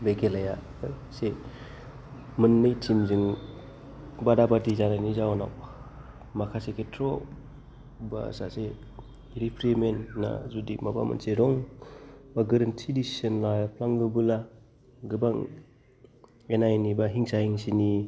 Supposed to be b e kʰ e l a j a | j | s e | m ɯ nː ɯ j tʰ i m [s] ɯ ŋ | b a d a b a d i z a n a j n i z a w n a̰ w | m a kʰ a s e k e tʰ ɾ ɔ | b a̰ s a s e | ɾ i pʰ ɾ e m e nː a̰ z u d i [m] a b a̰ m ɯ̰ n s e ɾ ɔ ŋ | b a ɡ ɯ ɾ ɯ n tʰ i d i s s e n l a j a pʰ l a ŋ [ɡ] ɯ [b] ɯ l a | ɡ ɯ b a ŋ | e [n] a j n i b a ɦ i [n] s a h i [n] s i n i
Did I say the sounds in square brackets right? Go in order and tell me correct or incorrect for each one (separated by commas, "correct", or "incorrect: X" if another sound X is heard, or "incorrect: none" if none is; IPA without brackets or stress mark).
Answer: incorrect: z, correct, correct, correct, correct, incorrect: ŋ, incorrect: ŋ